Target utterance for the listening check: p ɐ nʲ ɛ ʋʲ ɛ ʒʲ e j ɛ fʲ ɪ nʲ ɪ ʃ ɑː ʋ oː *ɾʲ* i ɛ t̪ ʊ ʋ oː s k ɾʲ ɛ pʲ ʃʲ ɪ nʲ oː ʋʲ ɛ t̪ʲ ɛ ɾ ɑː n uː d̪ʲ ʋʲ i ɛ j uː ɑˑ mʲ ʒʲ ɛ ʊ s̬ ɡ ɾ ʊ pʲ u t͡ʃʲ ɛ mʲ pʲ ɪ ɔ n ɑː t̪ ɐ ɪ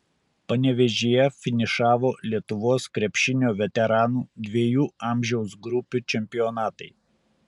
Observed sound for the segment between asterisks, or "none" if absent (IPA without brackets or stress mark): lʲ